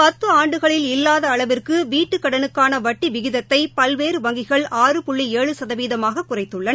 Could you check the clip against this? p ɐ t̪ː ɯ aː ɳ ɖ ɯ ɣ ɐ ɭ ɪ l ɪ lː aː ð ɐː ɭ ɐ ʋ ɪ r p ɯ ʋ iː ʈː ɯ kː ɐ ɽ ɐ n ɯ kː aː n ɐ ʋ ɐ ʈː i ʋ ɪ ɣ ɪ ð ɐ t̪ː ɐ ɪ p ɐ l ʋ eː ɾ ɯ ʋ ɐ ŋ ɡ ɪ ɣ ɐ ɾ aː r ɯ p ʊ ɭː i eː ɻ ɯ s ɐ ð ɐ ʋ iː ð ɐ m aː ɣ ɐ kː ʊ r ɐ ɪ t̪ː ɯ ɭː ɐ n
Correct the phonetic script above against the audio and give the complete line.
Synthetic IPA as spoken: p ɐ t̪ː ɯ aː ɳ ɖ ɯ ɣ ɐ ɭ ɪ l ɪ lː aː ð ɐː ɭ ɐ ʋ ɪ r k ɯ ʋ iː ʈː ɯ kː ɐ ɽ ɐ n ɯ kː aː n ɐ ʋ ɐ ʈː i ʋ ɪ ɣ ɪ ð ɐ t̪ː ɐ ɪ p ɐ l ʋ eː ɾ ɯ ʋ ɐ ŋ ɡ ɪ ɣ ɐ ɭ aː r ɯ p ʊ ɭː i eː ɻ ɯ s ɐ ð ɐ ʋ iː ð ɐ m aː ɣ ɐ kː ʊ r ɐ ɪ t̪ː ɯ ɭː ɐ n